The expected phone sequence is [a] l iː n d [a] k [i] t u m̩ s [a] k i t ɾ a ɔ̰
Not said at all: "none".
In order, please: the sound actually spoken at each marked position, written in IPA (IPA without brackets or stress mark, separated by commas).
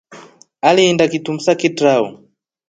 a, a, i, a